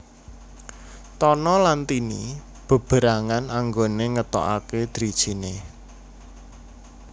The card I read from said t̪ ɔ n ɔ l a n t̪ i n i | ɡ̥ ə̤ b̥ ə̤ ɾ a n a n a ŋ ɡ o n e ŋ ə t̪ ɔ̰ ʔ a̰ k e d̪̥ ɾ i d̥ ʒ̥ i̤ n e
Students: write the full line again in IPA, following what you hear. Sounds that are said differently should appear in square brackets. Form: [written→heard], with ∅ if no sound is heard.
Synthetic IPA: t̪ ɔ n ɔ l a n t̪ i n i | [ɡ̥→b̥] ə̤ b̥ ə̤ ɾ a [n→ŋ] a n a ŋ ɡ o n e ŋ ə t̪ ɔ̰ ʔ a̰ k e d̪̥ ɾ i d̥ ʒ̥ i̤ n e